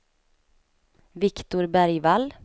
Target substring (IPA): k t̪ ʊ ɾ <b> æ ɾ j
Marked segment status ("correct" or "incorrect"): correct